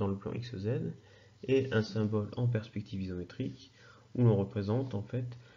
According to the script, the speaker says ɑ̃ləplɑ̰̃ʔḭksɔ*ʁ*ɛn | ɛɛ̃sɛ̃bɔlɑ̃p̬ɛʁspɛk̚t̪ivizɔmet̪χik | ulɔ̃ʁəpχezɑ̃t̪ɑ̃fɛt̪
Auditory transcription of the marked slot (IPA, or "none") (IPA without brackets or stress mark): z